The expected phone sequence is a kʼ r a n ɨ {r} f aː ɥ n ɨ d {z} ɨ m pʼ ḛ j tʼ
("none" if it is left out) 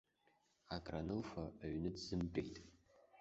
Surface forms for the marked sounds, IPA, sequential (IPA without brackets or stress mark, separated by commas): l, z